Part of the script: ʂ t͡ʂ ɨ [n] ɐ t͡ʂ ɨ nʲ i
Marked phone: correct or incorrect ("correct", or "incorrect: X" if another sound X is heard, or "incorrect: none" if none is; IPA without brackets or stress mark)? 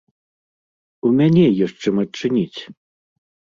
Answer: incorrect: m